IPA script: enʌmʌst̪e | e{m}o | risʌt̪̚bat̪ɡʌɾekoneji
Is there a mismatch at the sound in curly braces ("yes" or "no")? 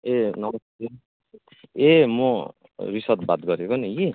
no